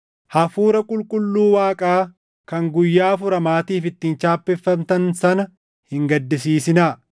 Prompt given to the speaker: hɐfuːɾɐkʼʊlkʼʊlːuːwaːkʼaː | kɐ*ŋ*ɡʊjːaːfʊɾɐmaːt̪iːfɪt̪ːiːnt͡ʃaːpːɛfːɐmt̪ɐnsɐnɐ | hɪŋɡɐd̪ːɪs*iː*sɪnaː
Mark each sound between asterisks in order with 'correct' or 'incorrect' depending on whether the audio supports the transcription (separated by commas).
correct, correct